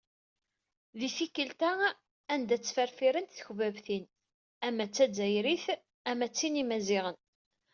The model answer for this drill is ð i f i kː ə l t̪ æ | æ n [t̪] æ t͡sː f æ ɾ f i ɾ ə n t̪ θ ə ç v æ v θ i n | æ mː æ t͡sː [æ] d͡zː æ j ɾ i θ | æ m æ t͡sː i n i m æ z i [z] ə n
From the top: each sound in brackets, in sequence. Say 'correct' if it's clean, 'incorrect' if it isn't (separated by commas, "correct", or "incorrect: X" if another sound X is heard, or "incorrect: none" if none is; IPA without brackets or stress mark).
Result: incorrect: d̪, correct, incorrect: ʁ